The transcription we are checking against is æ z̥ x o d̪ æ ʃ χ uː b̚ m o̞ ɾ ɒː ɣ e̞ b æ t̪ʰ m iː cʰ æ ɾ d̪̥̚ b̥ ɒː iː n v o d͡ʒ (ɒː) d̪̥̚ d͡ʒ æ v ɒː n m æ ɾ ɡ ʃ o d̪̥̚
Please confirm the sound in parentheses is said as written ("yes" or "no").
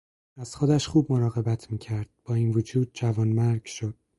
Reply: no